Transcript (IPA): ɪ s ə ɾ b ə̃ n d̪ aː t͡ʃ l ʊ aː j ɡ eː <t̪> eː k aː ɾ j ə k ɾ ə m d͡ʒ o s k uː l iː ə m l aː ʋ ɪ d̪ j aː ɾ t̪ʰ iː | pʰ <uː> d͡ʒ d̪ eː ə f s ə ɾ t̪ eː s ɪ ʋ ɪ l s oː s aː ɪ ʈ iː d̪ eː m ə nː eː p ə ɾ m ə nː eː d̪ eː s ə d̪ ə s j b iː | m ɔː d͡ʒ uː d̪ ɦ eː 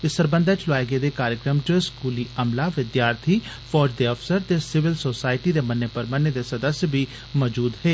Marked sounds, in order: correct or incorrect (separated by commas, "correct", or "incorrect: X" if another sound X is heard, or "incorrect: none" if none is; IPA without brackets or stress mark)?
incorrect: d̪, incorrect: ɔː